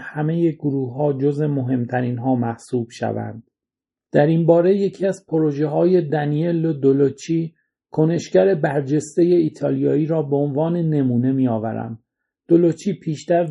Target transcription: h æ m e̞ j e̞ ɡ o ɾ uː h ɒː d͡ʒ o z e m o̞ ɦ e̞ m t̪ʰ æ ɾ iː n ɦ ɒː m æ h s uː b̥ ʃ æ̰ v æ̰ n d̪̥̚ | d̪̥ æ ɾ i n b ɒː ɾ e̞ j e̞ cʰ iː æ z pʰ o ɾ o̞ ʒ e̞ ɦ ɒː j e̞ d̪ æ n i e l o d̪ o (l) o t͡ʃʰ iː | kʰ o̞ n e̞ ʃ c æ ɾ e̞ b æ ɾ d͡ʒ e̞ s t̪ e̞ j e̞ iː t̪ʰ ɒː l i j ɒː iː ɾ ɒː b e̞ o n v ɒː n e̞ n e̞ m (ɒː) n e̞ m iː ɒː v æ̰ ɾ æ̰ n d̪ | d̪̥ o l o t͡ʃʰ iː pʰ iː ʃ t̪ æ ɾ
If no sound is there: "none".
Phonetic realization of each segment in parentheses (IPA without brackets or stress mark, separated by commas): l, uː